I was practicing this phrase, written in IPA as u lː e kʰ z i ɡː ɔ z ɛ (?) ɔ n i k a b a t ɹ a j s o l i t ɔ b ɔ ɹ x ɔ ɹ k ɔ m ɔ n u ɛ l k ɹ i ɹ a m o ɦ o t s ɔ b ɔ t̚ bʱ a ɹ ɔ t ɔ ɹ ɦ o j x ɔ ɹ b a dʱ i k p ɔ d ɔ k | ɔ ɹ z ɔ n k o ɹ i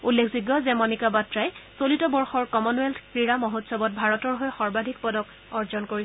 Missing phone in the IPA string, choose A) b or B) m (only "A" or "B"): B